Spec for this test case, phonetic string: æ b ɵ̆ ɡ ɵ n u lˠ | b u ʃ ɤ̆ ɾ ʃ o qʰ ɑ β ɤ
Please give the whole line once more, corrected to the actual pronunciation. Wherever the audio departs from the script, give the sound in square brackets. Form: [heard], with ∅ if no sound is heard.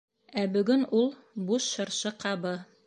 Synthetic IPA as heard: æ b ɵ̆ ɡ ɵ n u lˠ | b u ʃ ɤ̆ ɾ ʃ [ɤ] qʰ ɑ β ɤ

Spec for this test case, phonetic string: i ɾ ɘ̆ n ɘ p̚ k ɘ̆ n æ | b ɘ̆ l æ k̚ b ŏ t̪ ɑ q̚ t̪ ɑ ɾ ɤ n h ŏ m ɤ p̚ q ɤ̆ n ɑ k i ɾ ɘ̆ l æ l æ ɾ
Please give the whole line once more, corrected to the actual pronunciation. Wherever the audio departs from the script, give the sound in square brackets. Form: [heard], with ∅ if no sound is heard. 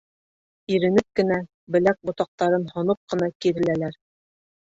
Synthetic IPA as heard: i ɾ ɘ̆ n ɘ p̚ k ɘ̆ n æ | b ɘ̆ l æ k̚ b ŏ t̪ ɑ q̚ t̪ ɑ ɾ ɤ n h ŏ [n] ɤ p̚ q ɤ̆ n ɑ k i ɾ ɘ̆ l æ l æ ɾ

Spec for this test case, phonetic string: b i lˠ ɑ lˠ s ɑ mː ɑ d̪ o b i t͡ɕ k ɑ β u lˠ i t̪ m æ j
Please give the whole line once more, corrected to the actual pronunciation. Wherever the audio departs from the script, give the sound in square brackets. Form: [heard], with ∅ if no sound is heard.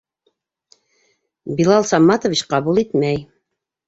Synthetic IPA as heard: b i lˠ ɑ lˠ s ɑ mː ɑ [t̪] o [v] i t͡ɕ [q] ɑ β u lˠ i t̪ m æ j

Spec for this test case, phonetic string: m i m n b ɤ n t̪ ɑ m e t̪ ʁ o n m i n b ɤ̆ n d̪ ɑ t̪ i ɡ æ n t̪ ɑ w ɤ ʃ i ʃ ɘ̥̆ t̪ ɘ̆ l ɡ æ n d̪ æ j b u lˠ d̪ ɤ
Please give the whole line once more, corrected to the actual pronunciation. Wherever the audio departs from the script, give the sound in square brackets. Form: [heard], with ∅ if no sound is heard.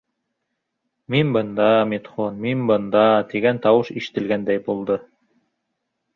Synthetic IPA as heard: m i [∅] n b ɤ n [d̪] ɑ m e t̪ [χ] o n m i n b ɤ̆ n d̪ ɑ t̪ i ɡ æ n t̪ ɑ w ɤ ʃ i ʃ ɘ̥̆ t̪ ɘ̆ l ɡ æ n d̪ æ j b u lˠ d̪ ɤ

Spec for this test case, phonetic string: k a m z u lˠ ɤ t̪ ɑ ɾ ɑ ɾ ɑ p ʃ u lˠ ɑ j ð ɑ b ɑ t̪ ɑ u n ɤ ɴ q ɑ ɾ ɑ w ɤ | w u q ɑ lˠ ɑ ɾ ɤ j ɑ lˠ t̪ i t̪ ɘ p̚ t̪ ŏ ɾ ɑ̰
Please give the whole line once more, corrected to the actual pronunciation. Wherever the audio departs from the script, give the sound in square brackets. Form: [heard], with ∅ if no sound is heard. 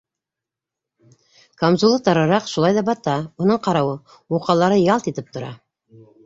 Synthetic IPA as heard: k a m z u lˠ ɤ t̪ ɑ ɾ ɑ ɾ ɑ [q] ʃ u lˠ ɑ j ð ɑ b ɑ t̪ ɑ u n ɤ ɴ q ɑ ɾ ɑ w ɤ | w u q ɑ lˠ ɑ ɾ ɤ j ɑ lˠ t̪ i t̪ ɘ p̚ t̪ ŏ ɾ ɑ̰

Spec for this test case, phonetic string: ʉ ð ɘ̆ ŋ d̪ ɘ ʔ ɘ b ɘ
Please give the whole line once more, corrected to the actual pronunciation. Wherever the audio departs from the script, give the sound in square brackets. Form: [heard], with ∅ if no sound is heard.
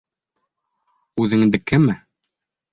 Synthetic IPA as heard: ʉ ð ɘ̆ ŋ d̪ ɘ [k] ɘ [m] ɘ

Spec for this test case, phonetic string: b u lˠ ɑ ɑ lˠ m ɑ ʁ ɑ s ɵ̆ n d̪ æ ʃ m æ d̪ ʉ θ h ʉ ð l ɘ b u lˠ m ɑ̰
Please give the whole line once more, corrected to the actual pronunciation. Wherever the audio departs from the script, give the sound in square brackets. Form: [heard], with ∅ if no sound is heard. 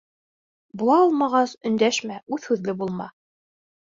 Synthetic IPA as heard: b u lˠ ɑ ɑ lˠ m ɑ ʁ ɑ s ɵ̆ n d̪ æ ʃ m æ [∅] ʉ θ h ʉ ð l ɘ b u lˠ m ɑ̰

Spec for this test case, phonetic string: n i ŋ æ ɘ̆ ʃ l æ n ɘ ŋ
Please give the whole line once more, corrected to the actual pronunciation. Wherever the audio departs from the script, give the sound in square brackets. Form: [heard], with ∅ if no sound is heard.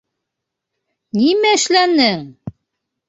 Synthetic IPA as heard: n i [m] æ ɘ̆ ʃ l æ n ɘ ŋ

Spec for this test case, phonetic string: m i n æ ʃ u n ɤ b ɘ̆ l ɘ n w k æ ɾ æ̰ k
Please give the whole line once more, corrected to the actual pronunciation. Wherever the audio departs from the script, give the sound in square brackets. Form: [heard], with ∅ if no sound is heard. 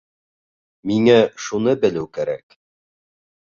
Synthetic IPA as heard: m i [ŋ] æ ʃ u n ɤ b ɘ̆ l ɘ [∅] w k æ ɾ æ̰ k

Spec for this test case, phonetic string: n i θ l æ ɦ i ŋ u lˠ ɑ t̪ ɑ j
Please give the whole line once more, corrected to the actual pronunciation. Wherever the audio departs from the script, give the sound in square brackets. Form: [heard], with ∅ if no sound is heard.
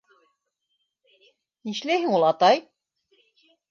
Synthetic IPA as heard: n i [ʃ] l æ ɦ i ŋ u lˠ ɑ t̪ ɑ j

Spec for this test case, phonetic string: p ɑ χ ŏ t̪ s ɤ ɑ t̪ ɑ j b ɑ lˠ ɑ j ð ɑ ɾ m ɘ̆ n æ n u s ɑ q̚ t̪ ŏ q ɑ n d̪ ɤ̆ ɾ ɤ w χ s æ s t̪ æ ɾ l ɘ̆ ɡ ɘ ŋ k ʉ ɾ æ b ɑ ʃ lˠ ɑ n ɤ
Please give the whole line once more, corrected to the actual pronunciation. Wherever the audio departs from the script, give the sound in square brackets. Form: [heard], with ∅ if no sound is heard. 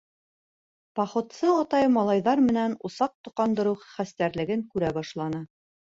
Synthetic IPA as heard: p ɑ χ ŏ t̪ s ɤ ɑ t̪ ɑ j [m] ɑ lˠ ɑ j ð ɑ ɾ m ɘ̆ n æ n u s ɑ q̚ t̪ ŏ q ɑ n d̪ ɤ̆ ɾ ɤ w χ [χ] æ s t̪ æ ɾ l ɘ̆ ɡ ɘ ŋ k ʉ ɾ æ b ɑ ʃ lˠ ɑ n ɤ

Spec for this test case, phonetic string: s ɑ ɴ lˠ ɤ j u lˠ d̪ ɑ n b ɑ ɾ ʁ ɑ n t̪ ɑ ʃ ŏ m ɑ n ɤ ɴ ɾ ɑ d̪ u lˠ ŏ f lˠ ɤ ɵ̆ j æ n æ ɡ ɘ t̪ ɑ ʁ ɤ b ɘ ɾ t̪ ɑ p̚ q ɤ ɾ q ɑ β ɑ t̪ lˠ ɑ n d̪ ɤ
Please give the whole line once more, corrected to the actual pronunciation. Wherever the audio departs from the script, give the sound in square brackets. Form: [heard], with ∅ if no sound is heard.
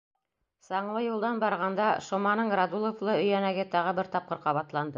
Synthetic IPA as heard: s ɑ ɴ lˠ ɤ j u lˠ d̪ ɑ n b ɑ ɾ ʁ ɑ n [d̪] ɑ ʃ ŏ m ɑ n ɤ ɴ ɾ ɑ d̪ u lˠ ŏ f lˠ ɤ ɵ̆ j æ n æ ɡ ɘ t̪ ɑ ʁ ɤ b ɘ ɾ t̪ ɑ p̚ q ɤ ɾ q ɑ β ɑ t̪ lˠ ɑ n d̪ ɤ

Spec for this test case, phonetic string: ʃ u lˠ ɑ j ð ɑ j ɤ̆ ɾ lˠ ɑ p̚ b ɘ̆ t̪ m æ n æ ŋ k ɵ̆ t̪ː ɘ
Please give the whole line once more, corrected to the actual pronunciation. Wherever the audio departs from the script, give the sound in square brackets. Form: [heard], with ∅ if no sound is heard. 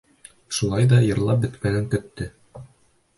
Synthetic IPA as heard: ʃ u lˠ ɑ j ð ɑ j ɤ̆ ɾ lˠ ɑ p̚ b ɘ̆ t̪ m æ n æ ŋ k ɵ̆ t̪ː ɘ

